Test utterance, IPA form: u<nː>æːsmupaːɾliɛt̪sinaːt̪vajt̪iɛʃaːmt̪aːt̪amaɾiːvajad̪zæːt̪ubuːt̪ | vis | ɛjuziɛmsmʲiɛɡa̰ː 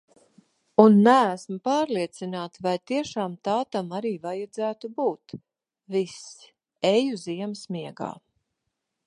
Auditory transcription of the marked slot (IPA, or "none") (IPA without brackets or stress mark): nː